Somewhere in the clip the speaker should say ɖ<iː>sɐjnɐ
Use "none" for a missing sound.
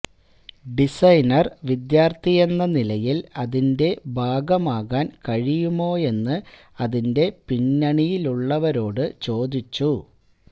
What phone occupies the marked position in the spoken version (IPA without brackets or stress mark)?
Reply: i